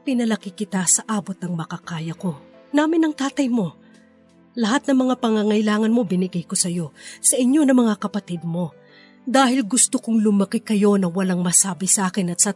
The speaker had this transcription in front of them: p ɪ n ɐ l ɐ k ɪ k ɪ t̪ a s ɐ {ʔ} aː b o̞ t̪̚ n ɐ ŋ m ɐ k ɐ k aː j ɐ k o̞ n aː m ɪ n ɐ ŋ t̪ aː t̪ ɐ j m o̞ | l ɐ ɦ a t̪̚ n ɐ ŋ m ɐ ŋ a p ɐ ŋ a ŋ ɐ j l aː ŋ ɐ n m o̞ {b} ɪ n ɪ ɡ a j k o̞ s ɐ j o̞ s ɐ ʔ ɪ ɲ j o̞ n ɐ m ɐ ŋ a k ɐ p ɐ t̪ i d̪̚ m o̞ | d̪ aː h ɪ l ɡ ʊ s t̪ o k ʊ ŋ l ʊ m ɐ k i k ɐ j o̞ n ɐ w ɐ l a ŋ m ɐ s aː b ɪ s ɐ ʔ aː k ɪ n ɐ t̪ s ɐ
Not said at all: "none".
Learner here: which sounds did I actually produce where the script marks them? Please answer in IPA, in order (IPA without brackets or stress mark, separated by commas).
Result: ʔ, b